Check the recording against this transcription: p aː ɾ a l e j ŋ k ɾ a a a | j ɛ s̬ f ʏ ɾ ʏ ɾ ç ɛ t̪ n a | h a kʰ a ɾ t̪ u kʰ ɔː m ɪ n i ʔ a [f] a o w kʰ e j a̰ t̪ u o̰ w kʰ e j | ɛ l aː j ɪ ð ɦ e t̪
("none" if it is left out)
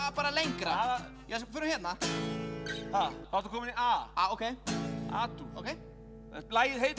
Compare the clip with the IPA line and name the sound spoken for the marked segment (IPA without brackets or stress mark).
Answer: none